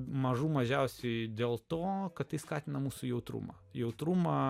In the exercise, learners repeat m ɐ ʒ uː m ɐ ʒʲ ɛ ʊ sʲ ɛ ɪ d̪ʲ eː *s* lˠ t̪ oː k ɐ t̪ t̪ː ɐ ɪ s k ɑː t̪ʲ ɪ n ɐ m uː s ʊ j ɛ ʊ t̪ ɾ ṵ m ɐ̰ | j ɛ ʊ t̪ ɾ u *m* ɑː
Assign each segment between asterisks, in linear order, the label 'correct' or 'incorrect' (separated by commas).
incorrect, correct